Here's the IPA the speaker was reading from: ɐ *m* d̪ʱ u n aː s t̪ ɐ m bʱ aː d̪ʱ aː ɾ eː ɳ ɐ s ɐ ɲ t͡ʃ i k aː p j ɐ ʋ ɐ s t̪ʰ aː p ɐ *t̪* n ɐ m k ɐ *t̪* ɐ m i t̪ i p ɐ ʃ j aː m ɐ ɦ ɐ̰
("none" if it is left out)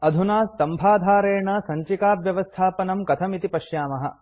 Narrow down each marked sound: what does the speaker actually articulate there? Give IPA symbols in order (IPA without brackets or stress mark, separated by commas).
none, none, t̪ʰ